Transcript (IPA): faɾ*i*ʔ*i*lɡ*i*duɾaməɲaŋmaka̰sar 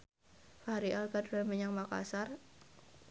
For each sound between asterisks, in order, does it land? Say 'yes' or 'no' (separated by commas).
yes, no, no